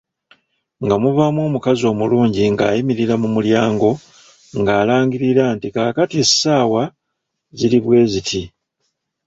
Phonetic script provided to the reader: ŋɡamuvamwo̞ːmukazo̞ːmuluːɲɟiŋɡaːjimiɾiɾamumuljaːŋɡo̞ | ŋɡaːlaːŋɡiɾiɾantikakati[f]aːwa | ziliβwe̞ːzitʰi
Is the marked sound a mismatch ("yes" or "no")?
yes